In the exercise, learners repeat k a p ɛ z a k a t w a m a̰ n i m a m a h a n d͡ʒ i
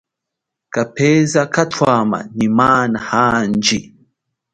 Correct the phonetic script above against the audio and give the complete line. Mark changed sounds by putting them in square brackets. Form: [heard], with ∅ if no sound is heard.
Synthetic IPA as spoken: k a p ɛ z a k a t w a m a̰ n i m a [n] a h a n d͡ʒ i

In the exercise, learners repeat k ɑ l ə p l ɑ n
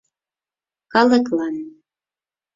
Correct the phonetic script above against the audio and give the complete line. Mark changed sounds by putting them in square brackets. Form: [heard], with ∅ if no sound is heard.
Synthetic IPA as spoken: k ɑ l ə [k] l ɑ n

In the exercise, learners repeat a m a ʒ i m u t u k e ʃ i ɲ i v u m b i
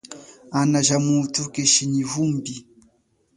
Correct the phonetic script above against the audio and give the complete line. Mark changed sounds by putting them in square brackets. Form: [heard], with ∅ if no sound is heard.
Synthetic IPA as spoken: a [n] a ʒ [a] m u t u k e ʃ i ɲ i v u m b i

